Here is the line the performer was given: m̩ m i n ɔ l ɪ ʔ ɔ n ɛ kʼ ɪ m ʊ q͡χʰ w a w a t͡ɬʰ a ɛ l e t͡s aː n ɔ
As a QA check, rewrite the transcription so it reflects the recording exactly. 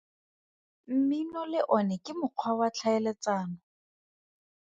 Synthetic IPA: m̩ m i n ɔ l ɪ ʔ ɔ n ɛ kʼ ɪ m ʊ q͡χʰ w a w a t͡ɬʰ a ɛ l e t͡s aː n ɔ

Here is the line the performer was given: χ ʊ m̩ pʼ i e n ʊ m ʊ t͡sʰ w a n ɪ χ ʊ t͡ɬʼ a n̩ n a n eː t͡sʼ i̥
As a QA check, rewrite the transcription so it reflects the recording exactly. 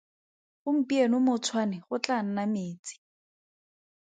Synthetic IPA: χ ʊ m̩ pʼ i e n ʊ m ʊ t͡sʰ w a n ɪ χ ʊ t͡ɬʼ a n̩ n a m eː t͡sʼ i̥

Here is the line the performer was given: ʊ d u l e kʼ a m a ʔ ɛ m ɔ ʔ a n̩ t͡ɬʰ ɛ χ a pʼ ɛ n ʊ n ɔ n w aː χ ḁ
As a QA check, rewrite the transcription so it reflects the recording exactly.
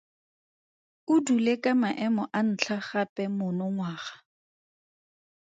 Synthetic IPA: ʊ d u l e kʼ a m a ʔ ɛ m ɔ ʔ a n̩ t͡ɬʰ a χ a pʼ ɛ m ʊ n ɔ ŋ w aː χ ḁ

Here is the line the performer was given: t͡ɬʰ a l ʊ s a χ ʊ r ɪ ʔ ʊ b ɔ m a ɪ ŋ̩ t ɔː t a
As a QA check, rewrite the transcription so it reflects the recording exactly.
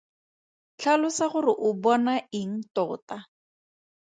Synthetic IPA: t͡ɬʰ a l ʊ s a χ ʊ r ɪ ʔ ʊ b ɔ n a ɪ ŋ̩ t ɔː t a

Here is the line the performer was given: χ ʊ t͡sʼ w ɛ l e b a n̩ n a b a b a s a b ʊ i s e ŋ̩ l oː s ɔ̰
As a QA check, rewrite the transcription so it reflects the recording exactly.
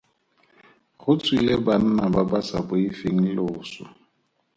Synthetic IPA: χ ʊ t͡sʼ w i l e b a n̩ n a b a b a s a b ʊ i f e ŋ̩ l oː s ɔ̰

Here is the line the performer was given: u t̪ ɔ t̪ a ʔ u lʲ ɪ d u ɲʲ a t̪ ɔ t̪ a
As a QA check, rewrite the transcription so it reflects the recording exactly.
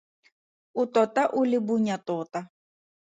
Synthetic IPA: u t̪ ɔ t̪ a ʔ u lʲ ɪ b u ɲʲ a t̪ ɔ t̪ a

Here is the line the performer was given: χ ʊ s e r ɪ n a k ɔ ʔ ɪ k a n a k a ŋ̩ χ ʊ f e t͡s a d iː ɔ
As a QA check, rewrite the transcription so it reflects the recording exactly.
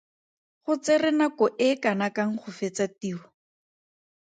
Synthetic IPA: χ ʊ t͡s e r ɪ n a k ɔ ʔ ɪ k a n a k a ŋ̩ χ ʊ f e t͡s a t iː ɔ

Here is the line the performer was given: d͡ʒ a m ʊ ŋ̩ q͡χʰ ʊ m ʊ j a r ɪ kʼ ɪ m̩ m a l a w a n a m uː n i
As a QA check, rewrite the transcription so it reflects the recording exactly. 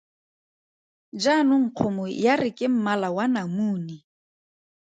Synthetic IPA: d͡ʒ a n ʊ ŋ̩ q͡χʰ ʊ m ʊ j a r ɪ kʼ ɪ m̩ m a l a w a n a m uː n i

